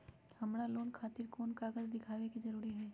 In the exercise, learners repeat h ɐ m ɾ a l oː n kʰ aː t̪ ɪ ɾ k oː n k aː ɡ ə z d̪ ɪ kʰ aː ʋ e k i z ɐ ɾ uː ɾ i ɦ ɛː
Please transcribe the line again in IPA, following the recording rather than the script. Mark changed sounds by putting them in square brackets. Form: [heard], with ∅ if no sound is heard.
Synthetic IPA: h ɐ m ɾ a l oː n kʰ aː t̪ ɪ ɾ k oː n k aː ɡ ə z d̪ ɪ kʰ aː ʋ e k i z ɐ ɾ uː ɾ i ɦ ɛː